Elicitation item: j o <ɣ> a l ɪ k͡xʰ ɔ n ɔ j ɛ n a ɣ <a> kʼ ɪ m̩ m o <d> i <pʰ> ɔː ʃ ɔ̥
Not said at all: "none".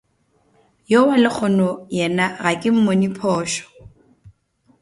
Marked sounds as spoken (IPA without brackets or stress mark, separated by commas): w, a, n, pʰ